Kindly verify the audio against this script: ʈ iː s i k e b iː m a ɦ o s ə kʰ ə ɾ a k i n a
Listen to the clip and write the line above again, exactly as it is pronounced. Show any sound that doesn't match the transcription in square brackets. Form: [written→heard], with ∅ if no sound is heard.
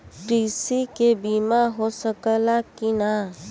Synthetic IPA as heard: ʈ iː s i k e b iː m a ɦ o s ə [kʰ→k] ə [ɾ→l] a k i n a